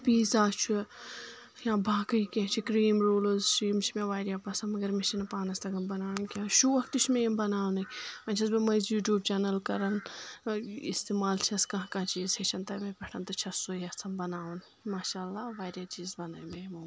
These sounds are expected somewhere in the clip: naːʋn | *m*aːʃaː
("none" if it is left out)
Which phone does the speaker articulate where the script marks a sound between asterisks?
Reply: m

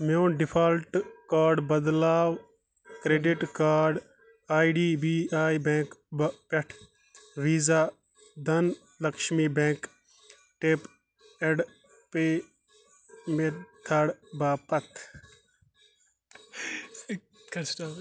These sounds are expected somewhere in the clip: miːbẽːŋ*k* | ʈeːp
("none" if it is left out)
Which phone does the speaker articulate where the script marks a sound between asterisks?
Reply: k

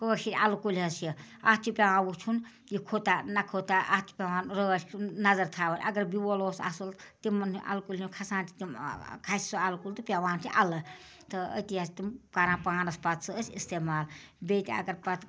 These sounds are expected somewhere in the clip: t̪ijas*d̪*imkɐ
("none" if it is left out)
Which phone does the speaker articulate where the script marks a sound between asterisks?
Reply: t̪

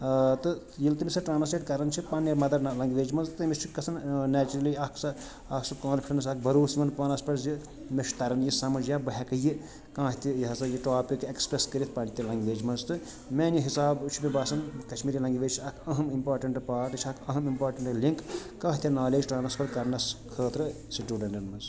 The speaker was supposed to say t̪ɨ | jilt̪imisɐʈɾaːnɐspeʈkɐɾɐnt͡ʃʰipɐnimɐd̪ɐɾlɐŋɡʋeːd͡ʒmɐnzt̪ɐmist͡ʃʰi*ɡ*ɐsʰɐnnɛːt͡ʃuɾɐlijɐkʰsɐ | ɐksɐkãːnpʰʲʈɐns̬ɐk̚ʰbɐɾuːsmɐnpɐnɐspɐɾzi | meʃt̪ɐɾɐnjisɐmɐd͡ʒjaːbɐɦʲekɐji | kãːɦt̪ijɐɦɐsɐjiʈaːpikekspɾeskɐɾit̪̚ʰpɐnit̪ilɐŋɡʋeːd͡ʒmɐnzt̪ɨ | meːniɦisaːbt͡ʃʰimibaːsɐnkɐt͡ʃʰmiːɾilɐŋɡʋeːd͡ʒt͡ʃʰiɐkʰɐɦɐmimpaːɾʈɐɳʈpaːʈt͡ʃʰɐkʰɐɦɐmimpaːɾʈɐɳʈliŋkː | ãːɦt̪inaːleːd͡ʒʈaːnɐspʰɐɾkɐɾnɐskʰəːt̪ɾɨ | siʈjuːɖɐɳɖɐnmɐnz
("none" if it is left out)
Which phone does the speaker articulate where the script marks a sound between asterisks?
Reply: k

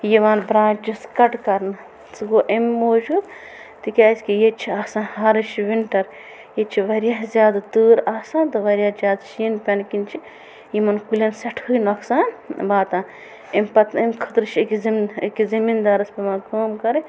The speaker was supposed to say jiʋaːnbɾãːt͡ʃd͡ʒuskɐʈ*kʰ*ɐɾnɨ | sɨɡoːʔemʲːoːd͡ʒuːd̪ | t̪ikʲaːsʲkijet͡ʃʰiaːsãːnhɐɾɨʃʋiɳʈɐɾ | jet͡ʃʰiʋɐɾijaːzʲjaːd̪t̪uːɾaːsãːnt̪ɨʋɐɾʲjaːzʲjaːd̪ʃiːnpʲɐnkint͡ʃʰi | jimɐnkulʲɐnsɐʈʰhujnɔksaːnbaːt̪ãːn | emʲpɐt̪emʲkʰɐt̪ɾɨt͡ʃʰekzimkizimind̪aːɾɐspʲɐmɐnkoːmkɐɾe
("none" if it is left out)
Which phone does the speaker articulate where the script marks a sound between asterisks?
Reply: k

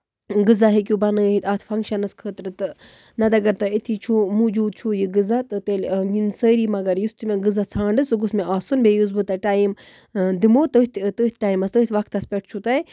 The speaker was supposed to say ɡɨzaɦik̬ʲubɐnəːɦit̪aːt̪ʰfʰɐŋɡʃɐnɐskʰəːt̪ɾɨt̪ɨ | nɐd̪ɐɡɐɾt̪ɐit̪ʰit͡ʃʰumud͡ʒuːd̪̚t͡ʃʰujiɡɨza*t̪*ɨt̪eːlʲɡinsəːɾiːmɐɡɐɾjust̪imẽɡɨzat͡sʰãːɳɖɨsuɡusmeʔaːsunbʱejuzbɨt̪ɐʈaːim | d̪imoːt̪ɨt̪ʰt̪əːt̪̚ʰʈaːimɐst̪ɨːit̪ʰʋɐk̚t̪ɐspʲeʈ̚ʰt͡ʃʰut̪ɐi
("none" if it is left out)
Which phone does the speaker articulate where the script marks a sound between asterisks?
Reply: t̪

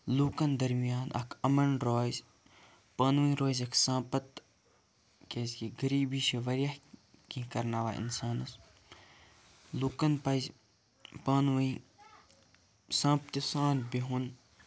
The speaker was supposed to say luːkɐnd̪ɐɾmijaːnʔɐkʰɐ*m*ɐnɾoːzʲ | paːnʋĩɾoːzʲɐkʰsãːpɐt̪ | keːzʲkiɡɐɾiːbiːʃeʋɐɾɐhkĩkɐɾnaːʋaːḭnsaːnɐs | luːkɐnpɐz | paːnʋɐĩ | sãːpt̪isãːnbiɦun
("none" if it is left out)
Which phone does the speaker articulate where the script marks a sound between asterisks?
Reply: m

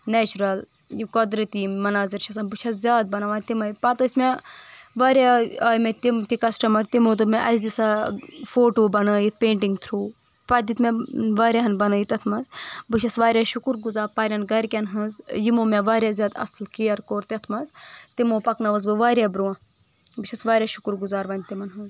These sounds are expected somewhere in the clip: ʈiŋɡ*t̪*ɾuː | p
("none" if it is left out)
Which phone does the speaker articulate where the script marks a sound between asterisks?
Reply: t̪ʰ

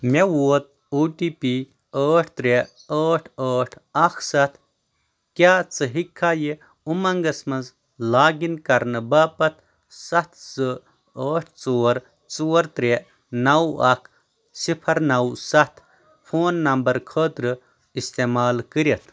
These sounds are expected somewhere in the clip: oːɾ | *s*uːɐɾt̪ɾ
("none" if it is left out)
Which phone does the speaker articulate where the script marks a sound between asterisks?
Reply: t͡s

